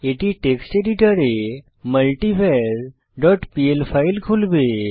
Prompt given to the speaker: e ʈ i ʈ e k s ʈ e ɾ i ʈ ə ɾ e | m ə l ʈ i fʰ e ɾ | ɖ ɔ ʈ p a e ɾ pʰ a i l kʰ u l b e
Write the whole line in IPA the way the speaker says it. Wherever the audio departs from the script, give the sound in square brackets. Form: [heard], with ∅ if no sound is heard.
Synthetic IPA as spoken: e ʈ i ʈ e k s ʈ e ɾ i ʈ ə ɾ e | m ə l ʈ i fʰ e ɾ | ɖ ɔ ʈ p [i] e [l] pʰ a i l kʰ u l b e